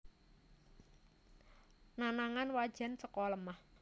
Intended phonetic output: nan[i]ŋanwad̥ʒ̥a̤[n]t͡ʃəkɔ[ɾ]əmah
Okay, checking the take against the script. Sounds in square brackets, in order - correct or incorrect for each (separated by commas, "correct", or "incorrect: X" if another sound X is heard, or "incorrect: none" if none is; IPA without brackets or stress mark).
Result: incorrect: a, correct, incorrect: l